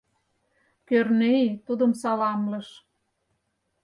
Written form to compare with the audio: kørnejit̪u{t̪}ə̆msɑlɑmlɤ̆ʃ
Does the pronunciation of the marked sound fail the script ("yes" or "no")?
yes